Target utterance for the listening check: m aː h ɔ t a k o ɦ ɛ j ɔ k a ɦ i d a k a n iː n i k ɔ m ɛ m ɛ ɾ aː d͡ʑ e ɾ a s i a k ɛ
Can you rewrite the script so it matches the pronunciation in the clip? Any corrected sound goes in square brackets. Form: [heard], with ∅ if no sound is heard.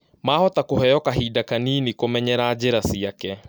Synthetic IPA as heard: m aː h ɔ t a k o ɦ ɛ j ɔ k a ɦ i d a k a n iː n i k [o] m ɛ [ɲ] ɛ ɾ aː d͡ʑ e ɾ a s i a k ɛ

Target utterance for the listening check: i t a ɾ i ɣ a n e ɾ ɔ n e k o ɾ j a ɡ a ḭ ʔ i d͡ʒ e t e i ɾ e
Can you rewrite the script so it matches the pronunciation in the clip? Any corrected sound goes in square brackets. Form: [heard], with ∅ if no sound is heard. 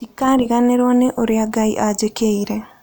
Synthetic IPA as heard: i [k] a ɾ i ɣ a n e ɾ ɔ n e [ʔ] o ɾ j a ɡ a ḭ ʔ [a] d͡ʒ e [k] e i ɾ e

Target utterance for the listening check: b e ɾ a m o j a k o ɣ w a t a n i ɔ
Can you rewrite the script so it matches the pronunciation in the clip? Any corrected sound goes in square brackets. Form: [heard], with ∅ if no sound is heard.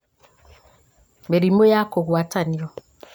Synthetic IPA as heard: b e ɾ [i] m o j a k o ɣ w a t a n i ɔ

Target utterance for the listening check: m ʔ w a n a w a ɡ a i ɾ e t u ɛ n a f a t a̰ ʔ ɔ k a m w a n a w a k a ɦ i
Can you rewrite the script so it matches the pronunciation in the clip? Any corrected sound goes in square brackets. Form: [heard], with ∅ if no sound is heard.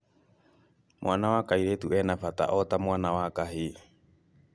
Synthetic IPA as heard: m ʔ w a n a w a [k] a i ɾ e t u ɛ n a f a t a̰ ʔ ɔ [t] a m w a n a w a k a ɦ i

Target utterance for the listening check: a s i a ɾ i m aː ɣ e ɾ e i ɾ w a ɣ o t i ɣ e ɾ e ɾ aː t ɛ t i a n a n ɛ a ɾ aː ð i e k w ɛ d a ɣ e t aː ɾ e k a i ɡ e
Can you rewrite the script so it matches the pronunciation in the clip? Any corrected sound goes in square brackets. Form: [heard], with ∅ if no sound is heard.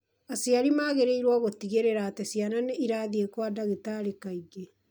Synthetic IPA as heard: a s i a ɾ i m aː ɣ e ɾ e i ɾ w a ɣ o t i ɣ e ɾ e ɾ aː t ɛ [s] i a n a n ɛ [i] ɾ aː ð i e k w [a] d a ɣ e t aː ɾ e k a i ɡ e

